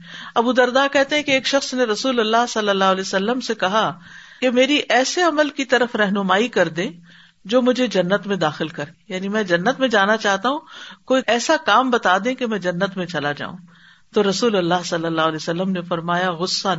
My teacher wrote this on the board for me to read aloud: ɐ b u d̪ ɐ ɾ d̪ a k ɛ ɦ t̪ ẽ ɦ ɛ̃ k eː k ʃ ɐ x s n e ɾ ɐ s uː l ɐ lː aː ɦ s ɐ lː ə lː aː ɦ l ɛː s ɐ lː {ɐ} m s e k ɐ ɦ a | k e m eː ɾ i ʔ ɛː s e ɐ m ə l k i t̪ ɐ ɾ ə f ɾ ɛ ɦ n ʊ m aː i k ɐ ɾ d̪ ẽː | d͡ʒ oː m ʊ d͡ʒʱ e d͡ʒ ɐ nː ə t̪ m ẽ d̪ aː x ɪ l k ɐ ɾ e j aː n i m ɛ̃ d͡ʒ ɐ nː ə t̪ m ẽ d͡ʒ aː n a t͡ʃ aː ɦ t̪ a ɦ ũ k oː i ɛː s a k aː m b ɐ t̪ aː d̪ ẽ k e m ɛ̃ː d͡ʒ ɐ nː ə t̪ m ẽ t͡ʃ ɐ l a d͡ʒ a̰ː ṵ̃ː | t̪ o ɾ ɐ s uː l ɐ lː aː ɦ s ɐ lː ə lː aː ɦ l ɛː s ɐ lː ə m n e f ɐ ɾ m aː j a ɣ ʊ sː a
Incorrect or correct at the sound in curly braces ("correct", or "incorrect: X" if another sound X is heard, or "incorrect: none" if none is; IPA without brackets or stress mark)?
incorrect: ə